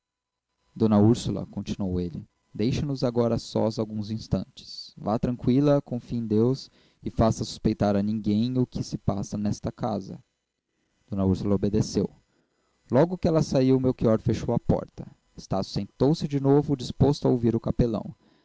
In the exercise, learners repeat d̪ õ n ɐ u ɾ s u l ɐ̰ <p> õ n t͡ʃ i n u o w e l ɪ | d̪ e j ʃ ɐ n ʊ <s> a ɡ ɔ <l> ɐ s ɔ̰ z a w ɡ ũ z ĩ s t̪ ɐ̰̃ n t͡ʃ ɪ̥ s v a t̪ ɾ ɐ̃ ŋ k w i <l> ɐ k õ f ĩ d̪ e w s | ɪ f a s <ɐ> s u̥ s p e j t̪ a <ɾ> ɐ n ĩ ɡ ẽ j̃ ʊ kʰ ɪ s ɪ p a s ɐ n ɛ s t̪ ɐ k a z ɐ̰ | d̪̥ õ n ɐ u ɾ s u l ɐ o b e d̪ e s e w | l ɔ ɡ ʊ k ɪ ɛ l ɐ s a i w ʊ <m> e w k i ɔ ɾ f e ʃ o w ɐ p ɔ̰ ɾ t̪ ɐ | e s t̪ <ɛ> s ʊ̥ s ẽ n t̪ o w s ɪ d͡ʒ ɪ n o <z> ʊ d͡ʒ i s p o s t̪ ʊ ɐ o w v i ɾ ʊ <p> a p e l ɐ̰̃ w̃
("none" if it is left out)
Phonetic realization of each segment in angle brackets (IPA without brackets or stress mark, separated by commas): k, z, ɾ, l, ɐ, ɾ, m, a, v, k